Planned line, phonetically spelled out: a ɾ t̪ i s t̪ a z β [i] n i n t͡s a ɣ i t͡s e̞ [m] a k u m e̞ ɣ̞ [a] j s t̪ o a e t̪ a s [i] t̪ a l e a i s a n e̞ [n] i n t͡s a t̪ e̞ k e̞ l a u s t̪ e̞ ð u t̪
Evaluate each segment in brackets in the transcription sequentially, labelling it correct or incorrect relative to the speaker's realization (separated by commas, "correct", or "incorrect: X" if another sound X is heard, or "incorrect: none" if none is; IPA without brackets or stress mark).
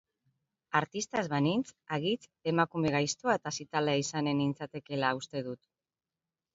incorrect: a, correct, correct, correct, correct